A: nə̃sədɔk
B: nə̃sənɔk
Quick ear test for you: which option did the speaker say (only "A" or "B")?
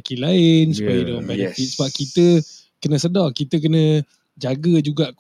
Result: A